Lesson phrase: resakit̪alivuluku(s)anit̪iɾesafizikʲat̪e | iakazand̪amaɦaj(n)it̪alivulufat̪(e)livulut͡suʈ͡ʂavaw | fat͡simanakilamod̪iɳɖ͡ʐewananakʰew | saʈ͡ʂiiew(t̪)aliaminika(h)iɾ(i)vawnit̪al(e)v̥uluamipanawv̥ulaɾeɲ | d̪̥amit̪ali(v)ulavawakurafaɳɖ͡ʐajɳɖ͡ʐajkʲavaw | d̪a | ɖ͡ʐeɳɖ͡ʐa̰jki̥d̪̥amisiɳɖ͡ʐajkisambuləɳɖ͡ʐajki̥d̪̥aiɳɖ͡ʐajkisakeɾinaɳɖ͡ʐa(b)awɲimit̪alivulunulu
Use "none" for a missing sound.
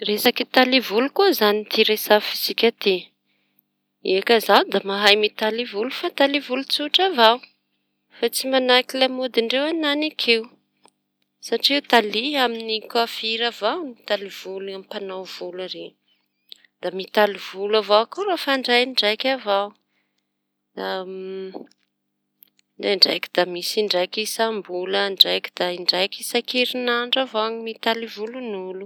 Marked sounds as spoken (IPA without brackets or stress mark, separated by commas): z, m, a, t̪, f, a, i, v, v